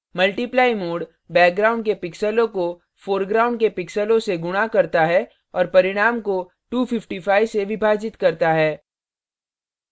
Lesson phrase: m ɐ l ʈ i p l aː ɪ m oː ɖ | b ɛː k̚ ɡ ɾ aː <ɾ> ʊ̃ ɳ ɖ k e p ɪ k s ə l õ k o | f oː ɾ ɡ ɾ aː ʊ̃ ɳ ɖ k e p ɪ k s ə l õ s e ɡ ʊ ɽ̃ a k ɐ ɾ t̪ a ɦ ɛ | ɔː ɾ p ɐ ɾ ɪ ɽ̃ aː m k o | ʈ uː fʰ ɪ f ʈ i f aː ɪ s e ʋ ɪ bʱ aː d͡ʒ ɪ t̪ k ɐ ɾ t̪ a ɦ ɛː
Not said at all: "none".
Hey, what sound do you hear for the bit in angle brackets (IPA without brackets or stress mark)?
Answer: none